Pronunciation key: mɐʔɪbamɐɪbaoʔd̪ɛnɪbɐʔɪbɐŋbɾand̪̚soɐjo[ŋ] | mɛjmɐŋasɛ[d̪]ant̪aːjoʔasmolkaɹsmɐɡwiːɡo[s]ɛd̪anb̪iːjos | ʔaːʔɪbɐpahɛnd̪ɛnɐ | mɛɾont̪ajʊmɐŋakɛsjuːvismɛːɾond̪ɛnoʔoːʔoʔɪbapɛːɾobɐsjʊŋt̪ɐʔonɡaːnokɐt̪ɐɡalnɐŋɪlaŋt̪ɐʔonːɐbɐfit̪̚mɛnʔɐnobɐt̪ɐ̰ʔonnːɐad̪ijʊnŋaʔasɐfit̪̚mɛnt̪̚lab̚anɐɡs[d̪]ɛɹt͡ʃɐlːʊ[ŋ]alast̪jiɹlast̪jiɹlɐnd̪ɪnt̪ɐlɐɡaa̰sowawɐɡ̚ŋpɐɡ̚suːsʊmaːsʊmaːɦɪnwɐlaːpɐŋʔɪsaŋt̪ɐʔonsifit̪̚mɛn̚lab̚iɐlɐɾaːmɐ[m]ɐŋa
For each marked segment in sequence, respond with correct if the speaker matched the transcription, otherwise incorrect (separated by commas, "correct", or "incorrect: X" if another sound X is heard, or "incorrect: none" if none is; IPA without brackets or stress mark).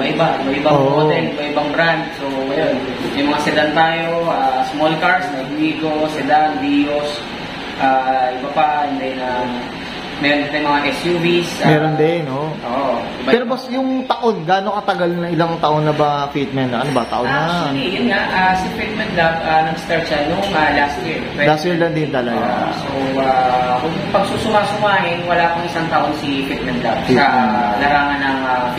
incorrect: n, correct, correct, incorrect: t̪, correct, incorrect: n